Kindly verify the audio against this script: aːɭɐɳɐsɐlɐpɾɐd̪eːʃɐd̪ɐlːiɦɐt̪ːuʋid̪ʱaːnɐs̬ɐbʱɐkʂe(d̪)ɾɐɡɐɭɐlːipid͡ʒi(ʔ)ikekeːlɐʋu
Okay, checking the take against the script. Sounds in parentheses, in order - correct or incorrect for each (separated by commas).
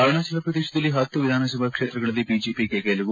incorrect, incorrect